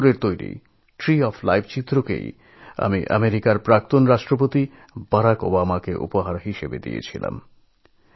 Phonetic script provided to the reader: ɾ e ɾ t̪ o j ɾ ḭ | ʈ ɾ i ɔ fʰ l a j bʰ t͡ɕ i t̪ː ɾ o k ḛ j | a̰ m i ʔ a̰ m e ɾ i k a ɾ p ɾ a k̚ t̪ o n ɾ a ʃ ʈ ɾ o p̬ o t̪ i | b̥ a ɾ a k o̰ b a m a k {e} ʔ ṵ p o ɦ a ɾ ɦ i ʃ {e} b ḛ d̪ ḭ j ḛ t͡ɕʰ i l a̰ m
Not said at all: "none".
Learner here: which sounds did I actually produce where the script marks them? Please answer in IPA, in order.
e, e

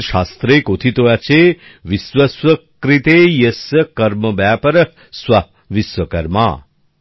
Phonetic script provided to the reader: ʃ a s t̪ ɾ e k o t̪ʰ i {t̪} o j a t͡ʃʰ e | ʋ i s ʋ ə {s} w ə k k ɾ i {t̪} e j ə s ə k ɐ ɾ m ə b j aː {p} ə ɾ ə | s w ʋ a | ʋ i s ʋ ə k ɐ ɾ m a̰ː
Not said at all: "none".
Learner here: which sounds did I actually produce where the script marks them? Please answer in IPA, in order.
t̪, s, t̪, p

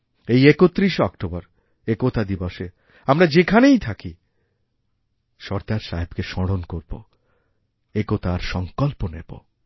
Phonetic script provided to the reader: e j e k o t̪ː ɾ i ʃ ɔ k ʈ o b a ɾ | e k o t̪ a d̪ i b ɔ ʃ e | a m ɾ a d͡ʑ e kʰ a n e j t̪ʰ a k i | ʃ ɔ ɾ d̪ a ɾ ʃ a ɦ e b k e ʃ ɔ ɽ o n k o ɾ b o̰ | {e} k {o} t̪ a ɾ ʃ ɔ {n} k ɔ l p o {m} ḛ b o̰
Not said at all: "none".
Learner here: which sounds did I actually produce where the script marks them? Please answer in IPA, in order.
e, o, ŋ, n

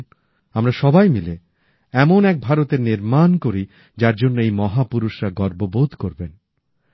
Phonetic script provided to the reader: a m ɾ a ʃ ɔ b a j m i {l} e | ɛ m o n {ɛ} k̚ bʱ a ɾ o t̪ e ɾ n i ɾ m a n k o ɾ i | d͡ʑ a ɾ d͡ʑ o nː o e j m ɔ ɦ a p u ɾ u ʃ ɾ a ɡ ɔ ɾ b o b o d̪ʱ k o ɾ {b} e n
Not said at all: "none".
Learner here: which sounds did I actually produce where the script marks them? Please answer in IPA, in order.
l, ɛ, b

